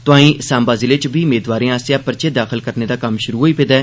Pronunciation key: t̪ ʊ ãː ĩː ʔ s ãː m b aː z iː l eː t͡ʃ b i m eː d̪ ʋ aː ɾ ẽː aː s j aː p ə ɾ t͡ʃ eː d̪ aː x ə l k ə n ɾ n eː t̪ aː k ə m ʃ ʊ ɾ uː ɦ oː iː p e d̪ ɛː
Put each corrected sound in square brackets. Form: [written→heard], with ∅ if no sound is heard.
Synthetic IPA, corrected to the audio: t̪ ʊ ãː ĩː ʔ s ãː m b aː z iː l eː t͡ʃ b [i→iː] m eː d̪ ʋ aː ɾ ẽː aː s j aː p ə ɾ t͡ʃ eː d̪ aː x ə l k ə [n→∅] ɾ n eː [t̪→d̪] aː k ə m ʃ ʊ ɾ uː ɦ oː iː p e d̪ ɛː

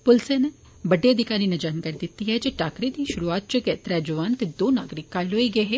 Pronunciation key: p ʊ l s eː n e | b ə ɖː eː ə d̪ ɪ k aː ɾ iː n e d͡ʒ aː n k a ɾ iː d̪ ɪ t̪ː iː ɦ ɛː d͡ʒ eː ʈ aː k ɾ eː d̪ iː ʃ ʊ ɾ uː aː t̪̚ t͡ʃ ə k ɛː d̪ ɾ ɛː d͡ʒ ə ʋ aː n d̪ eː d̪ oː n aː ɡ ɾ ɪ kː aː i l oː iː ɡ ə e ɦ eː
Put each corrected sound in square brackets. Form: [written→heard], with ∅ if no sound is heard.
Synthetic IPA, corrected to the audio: p ʊ l s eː n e | b ə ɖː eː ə d̪ ɪ k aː ɾ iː n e d͡ʒ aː n k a ɾ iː d̪ ɪ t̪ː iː ɦ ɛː d͡ʒ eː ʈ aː k ɾ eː d̪ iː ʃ ʊ ɾ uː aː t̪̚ t͡ʃ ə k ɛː [d̪→t̪] ɾ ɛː d͡ʒ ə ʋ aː n [d̪→t̪] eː d̪ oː n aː ɡ ɾ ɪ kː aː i l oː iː ɡ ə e ɦ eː

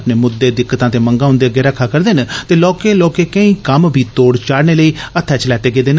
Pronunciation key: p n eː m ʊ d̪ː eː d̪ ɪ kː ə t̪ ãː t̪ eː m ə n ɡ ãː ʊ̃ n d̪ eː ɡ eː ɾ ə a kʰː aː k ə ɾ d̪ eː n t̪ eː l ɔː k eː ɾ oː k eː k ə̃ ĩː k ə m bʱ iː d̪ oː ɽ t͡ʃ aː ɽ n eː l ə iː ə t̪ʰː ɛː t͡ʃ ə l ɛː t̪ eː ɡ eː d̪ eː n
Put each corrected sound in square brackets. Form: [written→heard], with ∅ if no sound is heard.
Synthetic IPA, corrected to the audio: p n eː m ʊ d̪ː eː d̪ ɪ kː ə t̪ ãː t̪ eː m ə [n→ŋ] ɡ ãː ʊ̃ n d̪ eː ɡ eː ɾ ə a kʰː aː k ə ɾ d̪ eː n t̪ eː l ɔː k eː [ɾ→l] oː k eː k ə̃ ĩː k ə m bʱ iː [d̪→t̪] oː ɽ t͡ʃ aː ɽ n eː l ə iː ə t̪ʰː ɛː t͡ʃ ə l ɛː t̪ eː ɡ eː d̪ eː n

